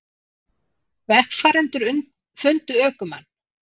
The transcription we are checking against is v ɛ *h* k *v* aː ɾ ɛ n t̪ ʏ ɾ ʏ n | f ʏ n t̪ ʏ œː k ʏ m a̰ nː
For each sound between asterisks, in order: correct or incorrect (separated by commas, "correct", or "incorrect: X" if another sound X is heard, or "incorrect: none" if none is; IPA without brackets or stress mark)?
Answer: correct, incorrect: f